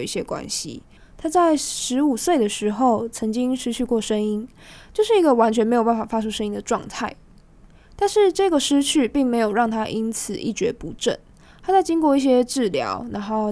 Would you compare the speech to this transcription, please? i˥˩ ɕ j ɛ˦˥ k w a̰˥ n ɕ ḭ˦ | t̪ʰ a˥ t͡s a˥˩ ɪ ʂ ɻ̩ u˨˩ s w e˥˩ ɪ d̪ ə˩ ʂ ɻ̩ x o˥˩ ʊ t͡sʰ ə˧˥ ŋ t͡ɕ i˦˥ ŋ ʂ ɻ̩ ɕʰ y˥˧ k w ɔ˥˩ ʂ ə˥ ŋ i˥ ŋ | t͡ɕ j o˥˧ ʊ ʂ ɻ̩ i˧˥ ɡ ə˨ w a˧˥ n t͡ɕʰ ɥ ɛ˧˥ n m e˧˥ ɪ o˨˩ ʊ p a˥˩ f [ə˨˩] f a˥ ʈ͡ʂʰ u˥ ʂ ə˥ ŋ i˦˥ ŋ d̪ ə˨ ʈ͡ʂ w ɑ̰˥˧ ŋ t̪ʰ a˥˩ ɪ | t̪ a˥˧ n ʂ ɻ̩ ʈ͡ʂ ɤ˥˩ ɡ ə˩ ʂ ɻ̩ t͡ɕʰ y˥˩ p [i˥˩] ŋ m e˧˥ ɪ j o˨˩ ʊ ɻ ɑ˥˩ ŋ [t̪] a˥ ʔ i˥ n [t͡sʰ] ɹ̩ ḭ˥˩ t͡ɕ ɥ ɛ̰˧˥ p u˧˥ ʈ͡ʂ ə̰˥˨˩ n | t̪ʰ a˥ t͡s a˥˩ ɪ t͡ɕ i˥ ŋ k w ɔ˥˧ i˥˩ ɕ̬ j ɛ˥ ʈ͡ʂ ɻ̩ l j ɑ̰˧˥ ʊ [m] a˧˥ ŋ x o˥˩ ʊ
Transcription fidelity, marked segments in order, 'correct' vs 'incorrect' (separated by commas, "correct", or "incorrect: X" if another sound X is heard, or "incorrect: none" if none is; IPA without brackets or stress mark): incorrect: a˨˩, correct, incorrect: t̪ʰ, correct, incorrect: n